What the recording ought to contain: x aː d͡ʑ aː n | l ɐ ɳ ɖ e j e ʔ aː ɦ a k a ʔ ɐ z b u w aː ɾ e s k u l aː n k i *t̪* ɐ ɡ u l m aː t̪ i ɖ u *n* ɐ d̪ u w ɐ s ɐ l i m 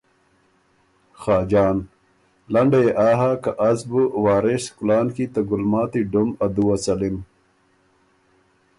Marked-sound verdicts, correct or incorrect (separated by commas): correct, incorrect